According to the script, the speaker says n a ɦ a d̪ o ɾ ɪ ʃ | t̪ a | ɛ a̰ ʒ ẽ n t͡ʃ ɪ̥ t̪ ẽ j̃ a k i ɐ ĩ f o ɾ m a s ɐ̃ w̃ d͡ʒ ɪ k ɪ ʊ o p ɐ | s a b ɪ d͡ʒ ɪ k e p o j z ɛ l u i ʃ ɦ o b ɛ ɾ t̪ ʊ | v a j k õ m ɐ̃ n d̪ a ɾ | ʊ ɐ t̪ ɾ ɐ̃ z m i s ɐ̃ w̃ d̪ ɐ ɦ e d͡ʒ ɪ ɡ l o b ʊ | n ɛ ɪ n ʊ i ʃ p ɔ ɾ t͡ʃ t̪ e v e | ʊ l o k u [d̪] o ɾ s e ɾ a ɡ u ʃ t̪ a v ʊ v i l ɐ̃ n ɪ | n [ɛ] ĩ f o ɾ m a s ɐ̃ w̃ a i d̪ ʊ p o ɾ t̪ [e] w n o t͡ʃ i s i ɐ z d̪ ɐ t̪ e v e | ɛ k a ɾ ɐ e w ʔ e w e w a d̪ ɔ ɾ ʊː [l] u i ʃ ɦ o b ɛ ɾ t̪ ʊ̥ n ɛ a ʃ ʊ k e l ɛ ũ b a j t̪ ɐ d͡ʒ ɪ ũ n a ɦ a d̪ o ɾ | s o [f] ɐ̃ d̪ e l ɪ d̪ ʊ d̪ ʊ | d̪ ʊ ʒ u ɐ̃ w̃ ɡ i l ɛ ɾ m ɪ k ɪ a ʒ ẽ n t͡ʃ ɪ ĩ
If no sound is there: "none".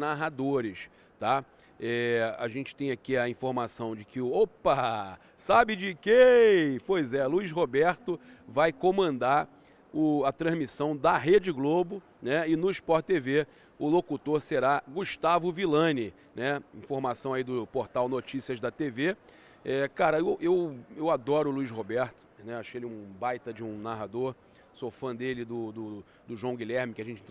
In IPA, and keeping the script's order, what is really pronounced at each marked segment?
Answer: t̪, ɛ, a, l, f

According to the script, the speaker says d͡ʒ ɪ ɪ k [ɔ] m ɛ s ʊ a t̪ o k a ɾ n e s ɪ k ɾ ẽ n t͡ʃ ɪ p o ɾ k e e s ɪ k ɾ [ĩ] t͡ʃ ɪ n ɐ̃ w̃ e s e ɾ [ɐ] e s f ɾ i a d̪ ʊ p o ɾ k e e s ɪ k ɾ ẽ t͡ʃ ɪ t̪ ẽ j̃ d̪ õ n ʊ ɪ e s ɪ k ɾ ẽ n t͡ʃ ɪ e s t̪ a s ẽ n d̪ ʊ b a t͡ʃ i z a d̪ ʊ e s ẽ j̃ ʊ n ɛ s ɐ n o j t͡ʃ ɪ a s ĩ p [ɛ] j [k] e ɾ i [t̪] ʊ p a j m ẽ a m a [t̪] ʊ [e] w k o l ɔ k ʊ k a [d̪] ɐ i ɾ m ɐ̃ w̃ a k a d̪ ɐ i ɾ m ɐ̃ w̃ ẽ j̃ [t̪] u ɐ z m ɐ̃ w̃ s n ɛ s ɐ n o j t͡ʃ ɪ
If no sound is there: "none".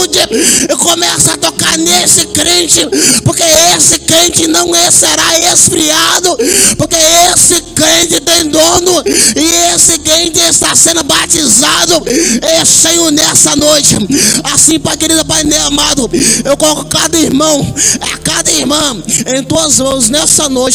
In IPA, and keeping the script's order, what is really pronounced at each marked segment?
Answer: o, ẽ, a, a, k, d̪, d̪, e, d̪, t̪

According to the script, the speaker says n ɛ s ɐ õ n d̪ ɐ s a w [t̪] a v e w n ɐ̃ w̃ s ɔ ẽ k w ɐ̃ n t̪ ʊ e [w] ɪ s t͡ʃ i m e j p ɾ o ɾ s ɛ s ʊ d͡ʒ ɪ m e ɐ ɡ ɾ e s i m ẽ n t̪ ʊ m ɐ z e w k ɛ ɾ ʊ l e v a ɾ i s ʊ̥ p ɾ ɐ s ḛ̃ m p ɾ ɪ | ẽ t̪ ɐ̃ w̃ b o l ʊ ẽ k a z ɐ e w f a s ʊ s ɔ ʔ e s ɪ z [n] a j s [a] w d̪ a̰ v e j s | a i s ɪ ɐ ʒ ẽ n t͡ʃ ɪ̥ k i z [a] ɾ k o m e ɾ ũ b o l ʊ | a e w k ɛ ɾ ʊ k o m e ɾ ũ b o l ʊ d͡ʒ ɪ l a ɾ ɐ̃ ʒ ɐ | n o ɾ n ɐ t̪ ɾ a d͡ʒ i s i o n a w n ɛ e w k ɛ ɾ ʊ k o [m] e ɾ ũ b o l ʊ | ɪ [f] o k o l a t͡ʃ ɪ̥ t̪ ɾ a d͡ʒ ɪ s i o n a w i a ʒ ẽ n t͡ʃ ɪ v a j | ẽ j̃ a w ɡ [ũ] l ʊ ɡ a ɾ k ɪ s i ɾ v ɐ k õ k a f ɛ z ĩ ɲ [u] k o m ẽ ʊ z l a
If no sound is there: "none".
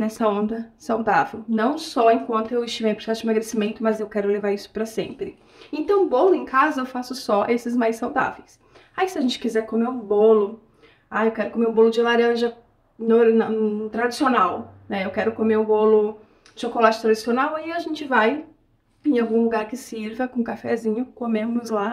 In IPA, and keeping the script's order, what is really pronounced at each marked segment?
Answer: d̪, w, m, a, ɛ, m, ʃ, ũ, ʊ

